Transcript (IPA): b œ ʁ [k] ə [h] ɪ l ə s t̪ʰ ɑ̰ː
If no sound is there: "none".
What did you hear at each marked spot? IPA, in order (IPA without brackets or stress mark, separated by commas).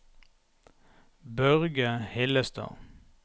ɡ, h